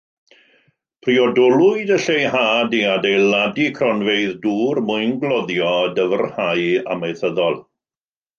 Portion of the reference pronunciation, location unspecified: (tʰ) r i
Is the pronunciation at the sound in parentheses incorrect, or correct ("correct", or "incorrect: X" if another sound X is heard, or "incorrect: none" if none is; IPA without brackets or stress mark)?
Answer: incorrect: pʰ